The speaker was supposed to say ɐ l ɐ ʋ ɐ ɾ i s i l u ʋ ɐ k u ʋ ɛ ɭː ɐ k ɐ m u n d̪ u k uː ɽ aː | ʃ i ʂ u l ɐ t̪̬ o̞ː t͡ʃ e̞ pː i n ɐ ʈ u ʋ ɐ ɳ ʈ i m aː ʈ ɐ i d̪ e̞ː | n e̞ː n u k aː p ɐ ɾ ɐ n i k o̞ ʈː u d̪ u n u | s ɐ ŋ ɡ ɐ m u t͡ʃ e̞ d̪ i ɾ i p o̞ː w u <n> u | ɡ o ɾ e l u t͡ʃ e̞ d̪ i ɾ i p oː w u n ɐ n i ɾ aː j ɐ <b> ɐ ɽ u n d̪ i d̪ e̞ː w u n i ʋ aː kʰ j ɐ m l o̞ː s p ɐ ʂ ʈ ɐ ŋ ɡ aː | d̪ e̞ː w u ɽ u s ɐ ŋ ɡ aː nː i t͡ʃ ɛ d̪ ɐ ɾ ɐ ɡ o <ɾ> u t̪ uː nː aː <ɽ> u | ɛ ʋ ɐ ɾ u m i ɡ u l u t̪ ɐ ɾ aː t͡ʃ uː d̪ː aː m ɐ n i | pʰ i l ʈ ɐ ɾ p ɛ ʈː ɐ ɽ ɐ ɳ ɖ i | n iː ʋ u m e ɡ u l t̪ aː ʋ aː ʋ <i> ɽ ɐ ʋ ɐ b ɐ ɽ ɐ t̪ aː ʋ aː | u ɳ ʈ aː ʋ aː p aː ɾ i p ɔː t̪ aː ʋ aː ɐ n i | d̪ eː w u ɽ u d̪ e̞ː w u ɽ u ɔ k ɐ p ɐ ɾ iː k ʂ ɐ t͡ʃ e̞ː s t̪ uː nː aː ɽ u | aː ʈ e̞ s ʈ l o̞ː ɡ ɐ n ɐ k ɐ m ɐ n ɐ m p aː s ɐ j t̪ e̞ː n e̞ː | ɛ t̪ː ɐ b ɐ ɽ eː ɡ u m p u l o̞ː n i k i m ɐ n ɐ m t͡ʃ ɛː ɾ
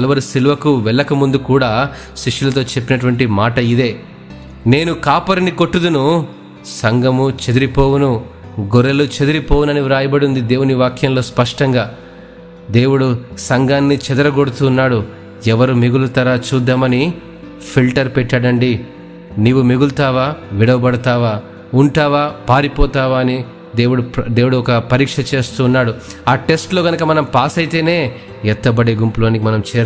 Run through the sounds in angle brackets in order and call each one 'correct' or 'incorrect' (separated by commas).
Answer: correct, correct, incorrect, correct, correct